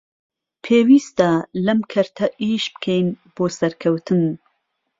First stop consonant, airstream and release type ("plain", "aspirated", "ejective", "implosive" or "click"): aspirated